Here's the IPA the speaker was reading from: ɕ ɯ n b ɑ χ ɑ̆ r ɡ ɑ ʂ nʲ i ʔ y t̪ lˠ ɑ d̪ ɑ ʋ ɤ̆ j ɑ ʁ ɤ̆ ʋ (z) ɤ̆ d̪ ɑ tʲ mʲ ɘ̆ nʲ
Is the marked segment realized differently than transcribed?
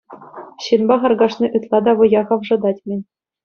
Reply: yes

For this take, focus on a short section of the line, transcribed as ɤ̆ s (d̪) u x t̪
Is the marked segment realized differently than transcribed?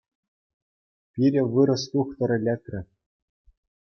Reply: yes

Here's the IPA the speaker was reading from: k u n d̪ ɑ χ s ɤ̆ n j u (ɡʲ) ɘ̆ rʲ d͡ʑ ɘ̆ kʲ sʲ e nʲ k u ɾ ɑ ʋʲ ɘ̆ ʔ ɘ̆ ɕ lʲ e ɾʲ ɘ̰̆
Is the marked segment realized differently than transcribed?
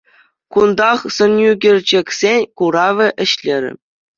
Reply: no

